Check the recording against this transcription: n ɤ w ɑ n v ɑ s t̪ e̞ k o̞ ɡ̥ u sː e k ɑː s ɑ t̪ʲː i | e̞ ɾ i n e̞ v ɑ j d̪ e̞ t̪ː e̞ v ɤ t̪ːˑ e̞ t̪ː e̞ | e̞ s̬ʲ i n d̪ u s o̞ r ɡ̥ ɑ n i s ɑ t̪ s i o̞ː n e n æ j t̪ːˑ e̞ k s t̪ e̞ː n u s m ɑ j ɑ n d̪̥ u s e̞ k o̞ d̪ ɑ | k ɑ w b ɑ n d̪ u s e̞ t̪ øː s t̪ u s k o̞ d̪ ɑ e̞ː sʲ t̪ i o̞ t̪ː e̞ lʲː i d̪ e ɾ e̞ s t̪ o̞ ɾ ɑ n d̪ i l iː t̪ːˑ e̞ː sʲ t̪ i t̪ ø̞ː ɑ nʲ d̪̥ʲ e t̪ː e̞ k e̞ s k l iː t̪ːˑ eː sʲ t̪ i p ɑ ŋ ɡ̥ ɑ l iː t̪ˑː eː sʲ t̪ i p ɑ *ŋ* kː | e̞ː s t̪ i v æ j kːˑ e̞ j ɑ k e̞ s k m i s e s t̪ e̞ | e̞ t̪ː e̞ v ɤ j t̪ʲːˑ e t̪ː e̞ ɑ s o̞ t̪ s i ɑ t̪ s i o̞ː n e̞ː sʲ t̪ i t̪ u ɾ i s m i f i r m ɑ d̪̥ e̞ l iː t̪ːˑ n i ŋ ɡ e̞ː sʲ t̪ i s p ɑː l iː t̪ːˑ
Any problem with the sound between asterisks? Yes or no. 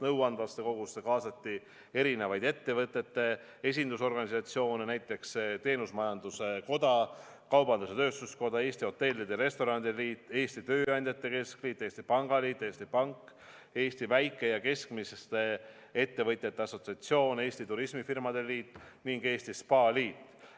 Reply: no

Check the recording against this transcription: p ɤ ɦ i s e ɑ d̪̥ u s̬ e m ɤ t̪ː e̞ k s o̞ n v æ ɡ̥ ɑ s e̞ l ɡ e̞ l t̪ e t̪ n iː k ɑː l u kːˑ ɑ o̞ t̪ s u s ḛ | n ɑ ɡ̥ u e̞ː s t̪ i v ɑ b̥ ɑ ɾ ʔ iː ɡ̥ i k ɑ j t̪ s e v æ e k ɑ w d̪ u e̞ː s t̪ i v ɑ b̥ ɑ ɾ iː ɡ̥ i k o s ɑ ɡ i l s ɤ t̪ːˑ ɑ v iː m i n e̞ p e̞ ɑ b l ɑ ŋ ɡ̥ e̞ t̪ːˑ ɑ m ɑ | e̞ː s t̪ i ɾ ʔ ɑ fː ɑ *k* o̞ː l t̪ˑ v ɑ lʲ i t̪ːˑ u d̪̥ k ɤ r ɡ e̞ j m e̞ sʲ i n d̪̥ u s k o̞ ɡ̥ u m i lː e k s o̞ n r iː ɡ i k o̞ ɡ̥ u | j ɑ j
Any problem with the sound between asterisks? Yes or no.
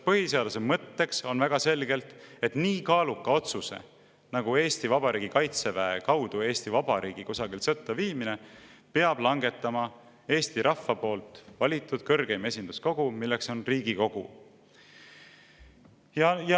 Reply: yes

